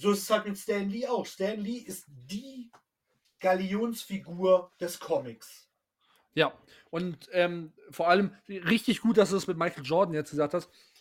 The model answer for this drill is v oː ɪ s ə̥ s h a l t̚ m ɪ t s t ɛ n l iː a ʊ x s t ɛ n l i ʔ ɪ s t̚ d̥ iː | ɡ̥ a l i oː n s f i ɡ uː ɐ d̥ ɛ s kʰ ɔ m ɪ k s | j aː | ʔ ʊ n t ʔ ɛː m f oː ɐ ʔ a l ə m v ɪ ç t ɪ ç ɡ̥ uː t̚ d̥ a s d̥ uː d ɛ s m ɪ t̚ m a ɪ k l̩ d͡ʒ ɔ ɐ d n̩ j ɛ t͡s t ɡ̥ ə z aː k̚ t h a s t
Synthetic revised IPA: z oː ɪ s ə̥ s h a l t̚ m ɪ t s t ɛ n l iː a ʊ x s t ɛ n l i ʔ ɪ s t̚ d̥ iː | ɡ̥ a l i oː n s f i ɡ uː ɐ d̥ ɛ s kʰ ɔ m ɪ k s | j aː | ʔ ʊ n t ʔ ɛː m f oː ɐ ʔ a l ə m ʁ ɪ ç t ɪ ç ɡ̥ uː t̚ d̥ a s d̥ uː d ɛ s m ɪ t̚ m a ɪ k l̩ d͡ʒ ɔ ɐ d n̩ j ɛ t͡s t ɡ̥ ə z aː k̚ t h a s t